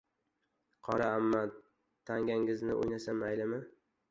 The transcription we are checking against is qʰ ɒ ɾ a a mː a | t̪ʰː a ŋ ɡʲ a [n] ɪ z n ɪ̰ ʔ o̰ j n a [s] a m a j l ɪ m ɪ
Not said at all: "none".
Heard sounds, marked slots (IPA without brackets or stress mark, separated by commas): ŋ, s